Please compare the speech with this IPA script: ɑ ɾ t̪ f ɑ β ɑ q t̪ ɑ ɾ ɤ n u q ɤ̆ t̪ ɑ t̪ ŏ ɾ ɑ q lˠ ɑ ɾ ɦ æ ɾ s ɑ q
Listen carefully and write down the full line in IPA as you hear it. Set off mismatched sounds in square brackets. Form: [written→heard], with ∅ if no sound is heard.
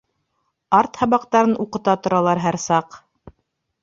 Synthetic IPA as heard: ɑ ɾ t̪ [f→h] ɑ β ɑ q t̪ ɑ ɾ ɤ n u q ɤ̆ t̪ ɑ t̪ ŏ ɾ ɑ [q→∅] lˠ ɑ ɾ ɦ æ ɾ s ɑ q